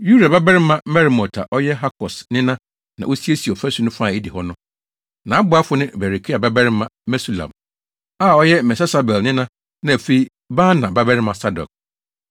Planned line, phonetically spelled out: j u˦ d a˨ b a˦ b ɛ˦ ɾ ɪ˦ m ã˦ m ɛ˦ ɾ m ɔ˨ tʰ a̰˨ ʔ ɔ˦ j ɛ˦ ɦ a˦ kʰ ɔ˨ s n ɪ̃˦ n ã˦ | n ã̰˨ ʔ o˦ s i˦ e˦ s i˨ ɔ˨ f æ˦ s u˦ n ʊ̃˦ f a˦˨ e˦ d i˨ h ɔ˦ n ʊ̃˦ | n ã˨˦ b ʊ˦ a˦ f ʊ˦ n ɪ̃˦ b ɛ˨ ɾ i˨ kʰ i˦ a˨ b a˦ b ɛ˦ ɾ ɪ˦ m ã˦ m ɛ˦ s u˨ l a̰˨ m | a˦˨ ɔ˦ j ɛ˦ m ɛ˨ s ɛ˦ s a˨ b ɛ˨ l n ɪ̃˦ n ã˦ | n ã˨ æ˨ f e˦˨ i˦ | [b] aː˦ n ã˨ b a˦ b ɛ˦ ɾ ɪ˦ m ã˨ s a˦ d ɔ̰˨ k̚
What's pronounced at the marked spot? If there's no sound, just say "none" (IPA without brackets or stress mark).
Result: b